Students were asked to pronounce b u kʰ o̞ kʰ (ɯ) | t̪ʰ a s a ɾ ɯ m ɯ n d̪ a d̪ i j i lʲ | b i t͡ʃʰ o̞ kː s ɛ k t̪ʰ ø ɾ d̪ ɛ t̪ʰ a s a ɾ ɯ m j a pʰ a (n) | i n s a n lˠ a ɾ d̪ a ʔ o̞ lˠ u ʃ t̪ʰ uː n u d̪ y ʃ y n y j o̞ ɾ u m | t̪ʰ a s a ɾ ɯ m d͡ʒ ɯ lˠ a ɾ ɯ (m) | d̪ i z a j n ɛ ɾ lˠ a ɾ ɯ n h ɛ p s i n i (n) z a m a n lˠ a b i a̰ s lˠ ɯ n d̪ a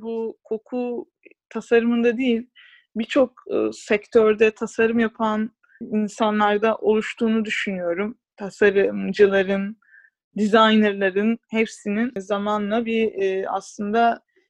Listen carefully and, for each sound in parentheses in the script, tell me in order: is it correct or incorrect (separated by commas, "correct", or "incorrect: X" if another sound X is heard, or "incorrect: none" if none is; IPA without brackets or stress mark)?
incorrect: u, correct, incorrect: n, correct